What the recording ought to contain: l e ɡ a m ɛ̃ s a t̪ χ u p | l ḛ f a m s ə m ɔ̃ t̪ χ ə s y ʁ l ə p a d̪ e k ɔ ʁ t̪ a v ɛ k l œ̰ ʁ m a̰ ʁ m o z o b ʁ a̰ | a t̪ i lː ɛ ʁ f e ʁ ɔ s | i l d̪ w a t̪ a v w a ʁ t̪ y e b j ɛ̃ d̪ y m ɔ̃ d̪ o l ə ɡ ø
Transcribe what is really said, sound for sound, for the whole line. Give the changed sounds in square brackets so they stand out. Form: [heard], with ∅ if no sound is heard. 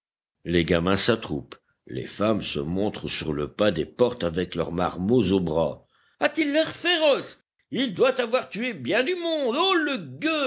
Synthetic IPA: l e ɡ a m ɛ̃ s a t̪ χ u p | l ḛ f a m s ə m ɔ̃ t̪ χ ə s y ʁ l ə p a d̪ e [p] ɔ ʁ t̪ a v ɛ k l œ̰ ʁ m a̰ ʁ m o z o b ʁ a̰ | a t̪ i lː ɛ ʁ f e ʁ ɔ s | i l d̪ w a t̪ a v w a ʁ t̪ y e b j ɛ̃ d̪ y m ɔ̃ d̪ o l ə ɡ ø